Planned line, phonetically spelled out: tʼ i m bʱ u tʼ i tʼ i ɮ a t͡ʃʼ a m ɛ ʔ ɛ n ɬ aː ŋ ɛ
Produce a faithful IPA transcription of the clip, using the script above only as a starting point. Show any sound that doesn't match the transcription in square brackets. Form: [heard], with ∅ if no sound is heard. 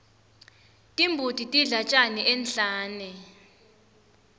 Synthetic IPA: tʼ i m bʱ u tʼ i tʼ i ɮ a t͡ʃʼ a [n] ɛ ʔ ɛ n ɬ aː [n] ɛ